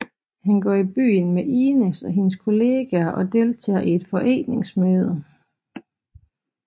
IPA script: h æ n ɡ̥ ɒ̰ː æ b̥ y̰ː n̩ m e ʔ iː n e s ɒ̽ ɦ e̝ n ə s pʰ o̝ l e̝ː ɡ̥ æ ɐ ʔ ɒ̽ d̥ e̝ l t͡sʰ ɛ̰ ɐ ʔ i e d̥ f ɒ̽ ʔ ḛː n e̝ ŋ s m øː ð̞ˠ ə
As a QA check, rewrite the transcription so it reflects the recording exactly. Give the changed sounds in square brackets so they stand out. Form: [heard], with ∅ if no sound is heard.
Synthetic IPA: h æ n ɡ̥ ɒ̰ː [i] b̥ y̰ː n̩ m e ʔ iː n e s ɒ̽ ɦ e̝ n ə s [kʰ] o̝ l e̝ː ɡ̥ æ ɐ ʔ ɒ̽ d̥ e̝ l t͡sʰ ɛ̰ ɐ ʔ i e d̥ f ɒ̽ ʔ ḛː n e̝ ŋ s m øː ð̞ˠ ə

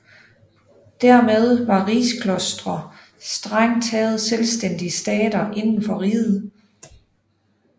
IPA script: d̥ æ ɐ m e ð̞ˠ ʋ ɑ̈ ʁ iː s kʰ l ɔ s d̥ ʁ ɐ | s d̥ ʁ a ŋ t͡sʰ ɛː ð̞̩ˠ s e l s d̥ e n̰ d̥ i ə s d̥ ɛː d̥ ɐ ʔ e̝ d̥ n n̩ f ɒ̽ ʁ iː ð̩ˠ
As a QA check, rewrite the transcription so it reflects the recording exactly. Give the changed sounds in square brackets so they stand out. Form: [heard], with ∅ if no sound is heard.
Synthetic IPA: d̥ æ ɐ m e ð̞ˠ ʋ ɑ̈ ʁ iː s kʰ l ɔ s d̥ ʁ ɐ | s d̥ ʁ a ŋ t͡sʰ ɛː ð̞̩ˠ s e l s d̥ e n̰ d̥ i ə s d̥ ɛː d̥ ɐ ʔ e̝ [∅] n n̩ f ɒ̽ ʁ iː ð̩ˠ

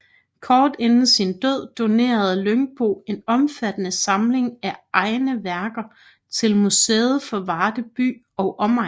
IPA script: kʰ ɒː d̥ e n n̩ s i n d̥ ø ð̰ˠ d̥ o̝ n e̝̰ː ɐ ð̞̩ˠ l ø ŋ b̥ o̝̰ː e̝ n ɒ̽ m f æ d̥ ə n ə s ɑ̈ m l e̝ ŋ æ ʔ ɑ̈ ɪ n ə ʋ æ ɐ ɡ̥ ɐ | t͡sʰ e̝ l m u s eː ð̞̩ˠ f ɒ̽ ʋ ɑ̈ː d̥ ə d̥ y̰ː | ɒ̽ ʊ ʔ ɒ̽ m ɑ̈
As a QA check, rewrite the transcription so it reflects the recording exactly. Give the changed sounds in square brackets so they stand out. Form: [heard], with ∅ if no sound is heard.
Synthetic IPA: kʰ ɒː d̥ e n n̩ s i n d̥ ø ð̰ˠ d̥ o̝ n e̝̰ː ɐ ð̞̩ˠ l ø ŋ b̥ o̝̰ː e̝ n ɒ̽ m f æ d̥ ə n ə s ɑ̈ m l e̝ ŋ æ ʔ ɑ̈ ɪ n ə ʋ æ ɐ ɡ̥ ɐ | t͡sʰ e̝ l m u s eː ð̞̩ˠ f ɒ̽ ʋ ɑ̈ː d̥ ə [b̥] y̰ː | ɒ̽ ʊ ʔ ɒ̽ m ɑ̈

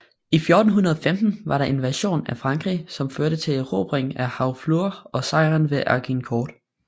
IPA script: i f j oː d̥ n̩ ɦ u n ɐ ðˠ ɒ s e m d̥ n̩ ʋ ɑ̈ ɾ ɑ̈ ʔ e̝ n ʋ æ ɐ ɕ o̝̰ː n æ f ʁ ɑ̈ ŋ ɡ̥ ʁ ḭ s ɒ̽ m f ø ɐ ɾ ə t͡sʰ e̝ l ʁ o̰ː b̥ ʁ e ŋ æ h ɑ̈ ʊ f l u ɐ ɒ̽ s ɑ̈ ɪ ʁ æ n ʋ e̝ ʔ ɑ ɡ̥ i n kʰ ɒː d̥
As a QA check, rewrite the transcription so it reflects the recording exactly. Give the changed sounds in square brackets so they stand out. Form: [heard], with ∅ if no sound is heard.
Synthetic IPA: i f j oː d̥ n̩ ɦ u n ɐ ðˠ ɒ [f] e m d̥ n̩ ʋ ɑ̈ ɾ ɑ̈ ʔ e̝ n ʋ æ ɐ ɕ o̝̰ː n æ f ʁ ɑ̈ ŋ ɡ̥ ʁ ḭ s ɒ̽ m f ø ɐ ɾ ə t͡sʰ e̝ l ʁ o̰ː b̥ ʁ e ŋ æ h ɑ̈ ʊ f l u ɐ ɒ̽ s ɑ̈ ɪ ʁ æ n ʋ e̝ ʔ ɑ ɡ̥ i n kʰ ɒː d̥

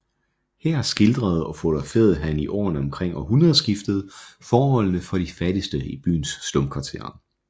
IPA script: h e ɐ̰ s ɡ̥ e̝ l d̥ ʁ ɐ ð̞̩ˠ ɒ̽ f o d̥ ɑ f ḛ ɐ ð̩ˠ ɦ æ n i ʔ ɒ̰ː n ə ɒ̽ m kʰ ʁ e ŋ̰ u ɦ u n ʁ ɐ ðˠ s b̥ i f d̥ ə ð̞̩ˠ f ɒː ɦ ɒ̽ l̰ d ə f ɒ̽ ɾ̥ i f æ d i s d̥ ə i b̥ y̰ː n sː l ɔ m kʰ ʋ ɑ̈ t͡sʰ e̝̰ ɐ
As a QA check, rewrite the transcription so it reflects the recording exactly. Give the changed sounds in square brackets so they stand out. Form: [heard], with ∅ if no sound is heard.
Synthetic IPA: h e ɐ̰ s ɡ̥ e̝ l d̥ ʁ ɐ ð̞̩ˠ ɒ̽ f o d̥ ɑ f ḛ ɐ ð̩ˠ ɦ æ n i ʔ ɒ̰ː n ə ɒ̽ m kʰ ʁ e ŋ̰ [ɒ] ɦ u n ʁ ɐ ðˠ s [ɡ̥] i f d̥ ə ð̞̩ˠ f ɒː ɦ ɒ̽ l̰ [n] ə f ɒ̽ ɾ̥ i f æ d i s d̥ ə i b̥ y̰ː n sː l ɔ m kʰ ʋ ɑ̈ t͡sʰ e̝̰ ɐ

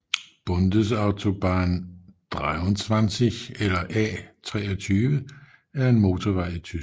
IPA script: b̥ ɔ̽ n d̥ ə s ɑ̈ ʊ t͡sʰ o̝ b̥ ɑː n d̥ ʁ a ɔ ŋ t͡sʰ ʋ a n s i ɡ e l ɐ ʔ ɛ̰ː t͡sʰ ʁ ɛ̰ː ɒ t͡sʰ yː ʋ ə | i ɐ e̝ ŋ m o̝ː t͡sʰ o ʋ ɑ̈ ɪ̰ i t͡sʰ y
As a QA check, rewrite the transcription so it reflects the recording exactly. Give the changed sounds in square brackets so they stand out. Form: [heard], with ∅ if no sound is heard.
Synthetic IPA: b̥ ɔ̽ n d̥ ə s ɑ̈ ʊ t͡sʰ o̝ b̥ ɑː n d̥ ʁ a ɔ [n] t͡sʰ ʋ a n s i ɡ e l ɐ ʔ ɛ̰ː t͡sʰ ʁ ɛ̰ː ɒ t͡sʰ yː ʋ ə | [æ] ɐ e̝ [n] m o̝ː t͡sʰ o ʋ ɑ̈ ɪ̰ i t͡sʰ y

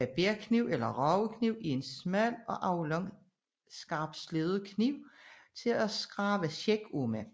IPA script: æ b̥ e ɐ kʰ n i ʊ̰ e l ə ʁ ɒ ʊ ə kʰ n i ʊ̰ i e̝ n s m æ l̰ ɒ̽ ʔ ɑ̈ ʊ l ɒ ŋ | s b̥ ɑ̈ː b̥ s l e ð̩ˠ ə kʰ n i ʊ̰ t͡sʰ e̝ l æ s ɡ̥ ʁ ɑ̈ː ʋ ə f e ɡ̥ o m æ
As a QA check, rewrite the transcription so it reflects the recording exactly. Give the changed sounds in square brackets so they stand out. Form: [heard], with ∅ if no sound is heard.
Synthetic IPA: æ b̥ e ɐ kʰ n i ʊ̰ e l [ɐ] ʁ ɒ ʊ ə kʰ n i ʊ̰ i e̝ n s m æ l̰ ɒ̽ ʔ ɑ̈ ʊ l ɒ ŋ | s [ɡ̥] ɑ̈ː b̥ s l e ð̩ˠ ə kʰ n i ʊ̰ t͡sʰ e̝ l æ s ɡ̥ ʁ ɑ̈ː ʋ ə [ɕ] e ɡ̥ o m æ

